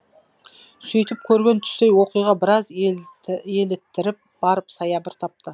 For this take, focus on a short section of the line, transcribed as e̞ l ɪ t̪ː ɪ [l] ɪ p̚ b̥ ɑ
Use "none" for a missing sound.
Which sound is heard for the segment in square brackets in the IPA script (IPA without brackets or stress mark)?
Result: ɾ